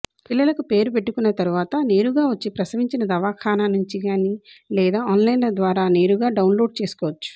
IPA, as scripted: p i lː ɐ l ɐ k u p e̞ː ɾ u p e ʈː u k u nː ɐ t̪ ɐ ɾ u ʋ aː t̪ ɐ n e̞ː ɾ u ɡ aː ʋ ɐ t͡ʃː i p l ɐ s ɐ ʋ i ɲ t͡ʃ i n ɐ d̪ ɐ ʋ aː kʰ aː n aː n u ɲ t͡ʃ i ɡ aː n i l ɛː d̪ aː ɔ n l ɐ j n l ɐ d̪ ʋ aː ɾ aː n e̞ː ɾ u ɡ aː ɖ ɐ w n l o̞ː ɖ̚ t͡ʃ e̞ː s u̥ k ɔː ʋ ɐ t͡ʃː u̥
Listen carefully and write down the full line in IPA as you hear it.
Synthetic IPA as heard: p i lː ɐ l ɐ k u p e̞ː ɾ u p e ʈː u k u nː ɐ t̪ ɐ ɾ u ʋ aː t̪ ɐ n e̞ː ɾ u ɡ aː ʋ ɐ t͡ʃː i p ɾ ɐ s ɐ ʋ i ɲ t͡ʃ i n ɐ d̪ ɐ ʋ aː kʰ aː n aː n u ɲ t͡ʃ i ɡ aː n i l ɛː d̪ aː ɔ n l ɐ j n l ɐ d̪ ʋ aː ɾ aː n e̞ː ɾ u ɡ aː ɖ ɐ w n l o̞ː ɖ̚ t͡ʃ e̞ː s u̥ k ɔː ʋ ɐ t͡ʃː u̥